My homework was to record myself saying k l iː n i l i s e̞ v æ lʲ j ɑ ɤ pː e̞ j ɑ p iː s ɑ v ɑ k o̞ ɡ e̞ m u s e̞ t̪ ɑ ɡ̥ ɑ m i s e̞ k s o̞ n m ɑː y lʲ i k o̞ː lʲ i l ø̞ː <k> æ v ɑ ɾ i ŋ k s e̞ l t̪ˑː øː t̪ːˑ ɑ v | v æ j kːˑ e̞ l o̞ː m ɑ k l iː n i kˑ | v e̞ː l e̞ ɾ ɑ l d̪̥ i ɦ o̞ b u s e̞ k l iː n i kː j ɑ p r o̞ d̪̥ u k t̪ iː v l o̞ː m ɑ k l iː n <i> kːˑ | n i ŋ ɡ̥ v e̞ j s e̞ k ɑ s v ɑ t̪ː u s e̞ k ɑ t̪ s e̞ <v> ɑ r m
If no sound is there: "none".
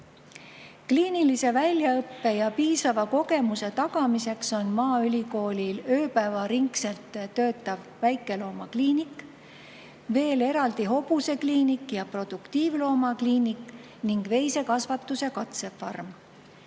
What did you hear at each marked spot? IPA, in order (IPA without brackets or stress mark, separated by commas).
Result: p, i, f